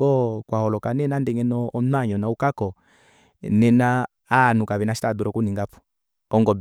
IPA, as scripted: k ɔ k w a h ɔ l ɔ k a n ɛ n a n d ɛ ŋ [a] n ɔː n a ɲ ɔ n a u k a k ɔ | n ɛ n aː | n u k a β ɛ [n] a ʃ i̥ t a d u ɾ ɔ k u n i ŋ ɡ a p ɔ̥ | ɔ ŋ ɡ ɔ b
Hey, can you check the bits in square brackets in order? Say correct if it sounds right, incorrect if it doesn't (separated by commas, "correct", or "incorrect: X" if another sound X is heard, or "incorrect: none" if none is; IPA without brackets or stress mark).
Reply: incorrect: ɛ, correct